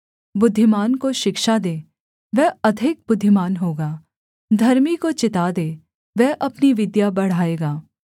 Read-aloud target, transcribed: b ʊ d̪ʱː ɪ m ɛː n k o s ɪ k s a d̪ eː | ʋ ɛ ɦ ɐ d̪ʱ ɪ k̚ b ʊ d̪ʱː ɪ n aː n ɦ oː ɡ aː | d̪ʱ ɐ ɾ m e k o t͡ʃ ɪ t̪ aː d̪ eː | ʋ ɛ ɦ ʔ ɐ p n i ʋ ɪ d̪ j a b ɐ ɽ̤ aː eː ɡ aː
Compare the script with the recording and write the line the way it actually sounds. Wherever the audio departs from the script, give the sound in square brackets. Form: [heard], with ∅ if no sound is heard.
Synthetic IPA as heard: b ʊ d̪ʱː ɪ m [aː] n k o [ʃ] ɪ k [ʃ] a d̪ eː | ʋ ɛ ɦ ɐ d̪ʱ ɪ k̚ b ʊ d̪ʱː ɪ [m] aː n ɦ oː ɡ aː | d̪ʱ ɐ ɾ m [i] k o t͡ʃ ɪ t̪ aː d̪ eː | ʋ ɛ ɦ ʔ ɐ p n i ʋ ɪ d̪ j a b ɐ ɽ̤ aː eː ɡ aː